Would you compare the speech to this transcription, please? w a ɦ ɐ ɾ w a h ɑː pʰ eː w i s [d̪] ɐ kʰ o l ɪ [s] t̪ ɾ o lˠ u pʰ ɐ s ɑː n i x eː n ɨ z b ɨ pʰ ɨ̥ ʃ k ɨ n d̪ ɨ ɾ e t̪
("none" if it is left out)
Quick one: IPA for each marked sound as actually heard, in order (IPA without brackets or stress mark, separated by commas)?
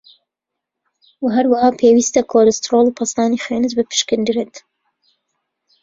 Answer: t̪, s